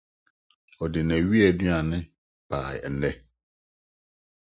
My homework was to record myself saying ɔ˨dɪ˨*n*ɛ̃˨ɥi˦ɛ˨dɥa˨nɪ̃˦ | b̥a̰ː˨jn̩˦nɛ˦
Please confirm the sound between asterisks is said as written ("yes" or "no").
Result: yes